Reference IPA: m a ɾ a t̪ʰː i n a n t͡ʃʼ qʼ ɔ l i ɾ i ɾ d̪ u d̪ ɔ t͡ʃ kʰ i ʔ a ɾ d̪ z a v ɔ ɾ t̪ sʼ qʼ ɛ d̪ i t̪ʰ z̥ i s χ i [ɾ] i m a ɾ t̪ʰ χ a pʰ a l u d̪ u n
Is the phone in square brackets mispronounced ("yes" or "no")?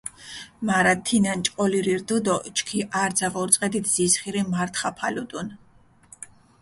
no